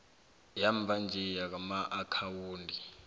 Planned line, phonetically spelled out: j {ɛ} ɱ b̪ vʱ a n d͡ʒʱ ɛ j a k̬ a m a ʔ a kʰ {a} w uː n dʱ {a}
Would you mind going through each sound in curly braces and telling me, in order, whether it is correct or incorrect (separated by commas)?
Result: incorrect, correct, incorrect